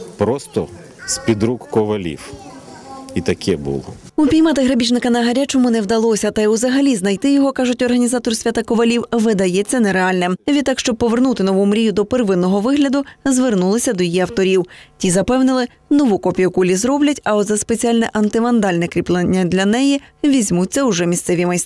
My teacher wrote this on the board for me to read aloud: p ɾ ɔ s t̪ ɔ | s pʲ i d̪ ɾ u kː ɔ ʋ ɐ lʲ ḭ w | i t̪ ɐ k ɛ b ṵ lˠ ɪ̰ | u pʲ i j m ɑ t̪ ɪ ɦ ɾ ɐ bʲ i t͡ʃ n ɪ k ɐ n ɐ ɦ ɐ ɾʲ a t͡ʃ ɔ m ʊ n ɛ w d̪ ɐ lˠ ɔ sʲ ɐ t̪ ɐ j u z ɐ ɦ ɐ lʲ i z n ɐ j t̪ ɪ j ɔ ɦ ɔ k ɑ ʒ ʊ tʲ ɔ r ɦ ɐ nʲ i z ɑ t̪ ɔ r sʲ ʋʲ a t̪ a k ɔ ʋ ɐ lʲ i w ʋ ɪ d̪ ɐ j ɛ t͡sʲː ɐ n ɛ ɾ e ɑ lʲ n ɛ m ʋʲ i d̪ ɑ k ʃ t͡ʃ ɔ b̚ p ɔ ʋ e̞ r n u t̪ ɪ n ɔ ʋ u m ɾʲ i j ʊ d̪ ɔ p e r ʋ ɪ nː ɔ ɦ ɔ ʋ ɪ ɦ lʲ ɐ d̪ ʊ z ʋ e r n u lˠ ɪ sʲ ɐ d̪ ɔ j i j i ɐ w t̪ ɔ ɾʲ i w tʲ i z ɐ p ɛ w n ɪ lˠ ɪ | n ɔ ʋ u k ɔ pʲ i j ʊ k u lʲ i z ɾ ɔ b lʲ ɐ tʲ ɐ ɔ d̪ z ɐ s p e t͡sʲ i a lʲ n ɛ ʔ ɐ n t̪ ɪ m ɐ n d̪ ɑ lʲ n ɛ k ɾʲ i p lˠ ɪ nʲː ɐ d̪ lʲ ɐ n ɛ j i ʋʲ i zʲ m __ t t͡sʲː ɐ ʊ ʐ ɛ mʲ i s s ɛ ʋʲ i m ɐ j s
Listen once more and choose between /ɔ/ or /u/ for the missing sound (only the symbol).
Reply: u